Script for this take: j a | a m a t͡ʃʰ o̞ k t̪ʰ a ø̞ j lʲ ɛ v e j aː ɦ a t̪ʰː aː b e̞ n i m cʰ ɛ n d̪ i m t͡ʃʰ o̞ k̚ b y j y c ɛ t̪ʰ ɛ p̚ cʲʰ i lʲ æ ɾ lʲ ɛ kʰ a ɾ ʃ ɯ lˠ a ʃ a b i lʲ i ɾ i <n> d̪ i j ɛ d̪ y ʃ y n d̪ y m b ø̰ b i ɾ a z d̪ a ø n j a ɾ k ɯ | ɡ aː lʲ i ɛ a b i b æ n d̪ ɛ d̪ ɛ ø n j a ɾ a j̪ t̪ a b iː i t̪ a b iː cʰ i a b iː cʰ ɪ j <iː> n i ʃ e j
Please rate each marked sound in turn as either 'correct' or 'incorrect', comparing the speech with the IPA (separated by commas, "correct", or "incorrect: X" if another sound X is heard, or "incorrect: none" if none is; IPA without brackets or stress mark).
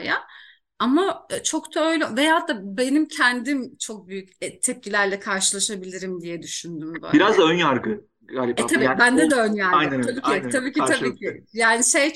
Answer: incorrect: m, incorrect: aː